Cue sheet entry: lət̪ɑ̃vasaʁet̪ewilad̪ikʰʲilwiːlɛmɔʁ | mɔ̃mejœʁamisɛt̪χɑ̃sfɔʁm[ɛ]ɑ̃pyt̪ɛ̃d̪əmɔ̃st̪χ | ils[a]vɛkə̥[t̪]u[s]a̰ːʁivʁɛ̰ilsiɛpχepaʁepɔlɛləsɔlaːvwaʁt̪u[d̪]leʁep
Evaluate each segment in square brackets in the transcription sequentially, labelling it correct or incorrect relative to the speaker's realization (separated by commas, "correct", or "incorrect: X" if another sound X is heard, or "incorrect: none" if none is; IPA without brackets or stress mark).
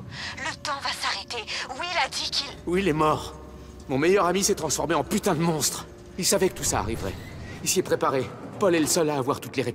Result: incorrect: e, correct, correct, correct, incorrect: t̪